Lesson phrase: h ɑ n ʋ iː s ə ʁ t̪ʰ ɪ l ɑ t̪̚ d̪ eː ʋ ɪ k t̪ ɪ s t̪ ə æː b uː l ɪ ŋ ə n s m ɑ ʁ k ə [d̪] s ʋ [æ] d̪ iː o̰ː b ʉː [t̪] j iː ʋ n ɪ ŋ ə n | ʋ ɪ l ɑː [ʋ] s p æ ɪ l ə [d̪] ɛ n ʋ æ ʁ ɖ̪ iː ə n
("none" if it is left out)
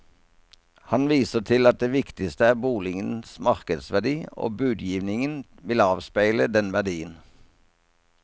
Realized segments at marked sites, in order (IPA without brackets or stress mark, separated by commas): d̪, æ, d̪, ʋ, d̪